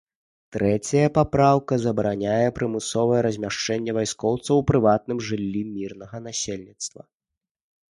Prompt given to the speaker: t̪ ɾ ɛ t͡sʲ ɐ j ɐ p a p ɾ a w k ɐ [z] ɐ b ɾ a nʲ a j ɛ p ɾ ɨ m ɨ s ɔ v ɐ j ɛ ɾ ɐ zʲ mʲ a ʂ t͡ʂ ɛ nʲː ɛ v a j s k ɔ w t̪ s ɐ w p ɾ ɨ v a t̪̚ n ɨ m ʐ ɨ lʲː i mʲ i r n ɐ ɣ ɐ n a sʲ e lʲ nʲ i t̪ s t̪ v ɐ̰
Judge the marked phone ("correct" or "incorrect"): correct